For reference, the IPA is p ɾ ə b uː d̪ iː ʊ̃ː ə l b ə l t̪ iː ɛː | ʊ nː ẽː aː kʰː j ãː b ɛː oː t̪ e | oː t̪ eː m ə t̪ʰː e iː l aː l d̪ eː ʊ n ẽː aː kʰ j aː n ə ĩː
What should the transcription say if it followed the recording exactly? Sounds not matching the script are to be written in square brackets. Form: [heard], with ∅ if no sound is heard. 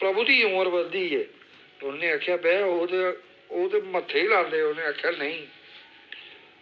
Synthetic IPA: p ɾ ə b uː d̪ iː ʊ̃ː ə [ɾ] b ə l [d̪] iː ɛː | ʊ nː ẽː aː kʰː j [aː] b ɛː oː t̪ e | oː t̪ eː m ə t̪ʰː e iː l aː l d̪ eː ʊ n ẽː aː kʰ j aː n ə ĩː